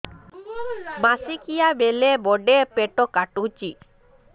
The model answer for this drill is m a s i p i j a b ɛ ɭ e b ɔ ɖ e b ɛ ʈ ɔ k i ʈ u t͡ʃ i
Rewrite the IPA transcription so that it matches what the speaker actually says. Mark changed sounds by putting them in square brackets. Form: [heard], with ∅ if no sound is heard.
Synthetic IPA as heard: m a s i [k] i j a b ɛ [l] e b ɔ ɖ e [p] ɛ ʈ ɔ k [a] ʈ u t͡ʃ i